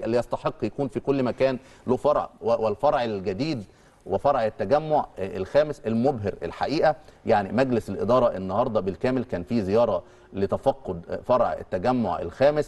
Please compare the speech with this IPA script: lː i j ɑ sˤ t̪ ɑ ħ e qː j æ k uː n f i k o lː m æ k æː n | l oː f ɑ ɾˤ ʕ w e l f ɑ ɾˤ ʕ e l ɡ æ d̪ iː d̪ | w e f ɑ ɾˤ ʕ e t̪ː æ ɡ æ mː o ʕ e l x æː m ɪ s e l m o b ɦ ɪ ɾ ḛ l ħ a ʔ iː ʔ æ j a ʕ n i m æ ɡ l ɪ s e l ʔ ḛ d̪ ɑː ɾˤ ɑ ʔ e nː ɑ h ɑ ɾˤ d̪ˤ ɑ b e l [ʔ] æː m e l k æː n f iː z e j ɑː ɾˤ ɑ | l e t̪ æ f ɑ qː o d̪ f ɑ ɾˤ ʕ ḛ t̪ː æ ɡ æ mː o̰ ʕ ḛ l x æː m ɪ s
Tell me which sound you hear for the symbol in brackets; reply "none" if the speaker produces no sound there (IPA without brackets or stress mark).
k